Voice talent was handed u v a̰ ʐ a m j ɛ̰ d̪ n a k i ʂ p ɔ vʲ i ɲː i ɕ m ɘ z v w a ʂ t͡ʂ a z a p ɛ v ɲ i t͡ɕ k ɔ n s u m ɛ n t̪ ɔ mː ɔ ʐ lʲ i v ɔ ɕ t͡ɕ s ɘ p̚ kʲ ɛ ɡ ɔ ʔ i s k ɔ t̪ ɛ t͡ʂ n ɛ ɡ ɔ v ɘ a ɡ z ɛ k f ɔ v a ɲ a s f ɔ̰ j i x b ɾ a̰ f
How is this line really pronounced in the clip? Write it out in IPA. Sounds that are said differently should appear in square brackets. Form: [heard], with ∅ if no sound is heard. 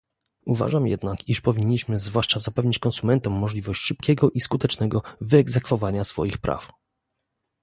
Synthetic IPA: u v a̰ ʐ a m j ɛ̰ d̪ n a k i ʂ p ɔ vʲ i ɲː i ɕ m ɘ z v w a ʂ t͡ʂ a z a p ɛ v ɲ i t͡ɕ k ɔ n s u m ɛ n t̪ ɔ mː ɔ ʐ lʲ i v ɔ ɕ t͡ɕ [ʂ] ɘ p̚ kʲ ɛ ɡ ɔ ʔ i s k [u] t̪ ɛ t͡ʂ n ɛ ɡ ɔ v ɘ [ɛ] ɡ z ɛ k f ɔ v a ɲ a s f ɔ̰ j i x [p] ɾ a̰ f